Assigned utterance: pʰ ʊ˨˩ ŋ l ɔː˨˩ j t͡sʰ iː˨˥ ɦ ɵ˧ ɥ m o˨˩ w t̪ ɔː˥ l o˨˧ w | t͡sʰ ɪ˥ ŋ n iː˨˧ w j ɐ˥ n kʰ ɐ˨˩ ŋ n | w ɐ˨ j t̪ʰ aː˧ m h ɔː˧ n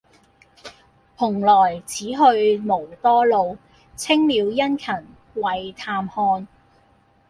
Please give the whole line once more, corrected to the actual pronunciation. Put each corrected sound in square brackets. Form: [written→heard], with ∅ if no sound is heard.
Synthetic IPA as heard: pʰ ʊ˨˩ ŋ l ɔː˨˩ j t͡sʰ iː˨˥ ɦ ɵ˧ ɥ m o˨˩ w t̪ ɔː˥ l o˨˧ w | t͡sʰ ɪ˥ ŋ [n→m] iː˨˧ w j ɐ˥ n kʰ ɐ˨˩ [ŋ→∅] n | w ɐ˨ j t̪ʰ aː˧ m h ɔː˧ n